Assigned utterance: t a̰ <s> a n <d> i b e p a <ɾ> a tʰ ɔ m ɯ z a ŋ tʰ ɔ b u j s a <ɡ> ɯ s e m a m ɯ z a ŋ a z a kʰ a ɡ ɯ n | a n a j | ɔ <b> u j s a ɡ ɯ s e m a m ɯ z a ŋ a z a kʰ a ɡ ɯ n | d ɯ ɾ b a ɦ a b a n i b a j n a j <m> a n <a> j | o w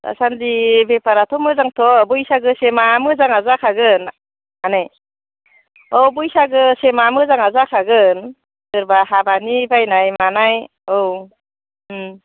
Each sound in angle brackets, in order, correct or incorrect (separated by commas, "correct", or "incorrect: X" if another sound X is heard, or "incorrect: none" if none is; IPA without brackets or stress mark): correct, correct, correct, correct, correct, correct, correct